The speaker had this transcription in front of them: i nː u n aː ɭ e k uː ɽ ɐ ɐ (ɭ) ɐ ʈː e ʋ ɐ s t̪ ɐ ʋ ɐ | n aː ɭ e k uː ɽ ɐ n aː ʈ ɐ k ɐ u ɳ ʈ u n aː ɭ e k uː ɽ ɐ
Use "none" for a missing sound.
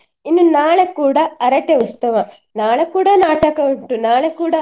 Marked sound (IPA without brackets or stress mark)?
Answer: ɾ